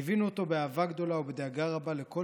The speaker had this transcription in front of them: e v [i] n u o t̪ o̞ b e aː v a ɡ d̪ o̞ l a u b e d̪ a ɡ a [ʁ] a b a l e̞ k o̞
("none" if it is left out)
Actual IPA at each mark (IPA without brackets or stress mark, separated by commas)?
i, ʁ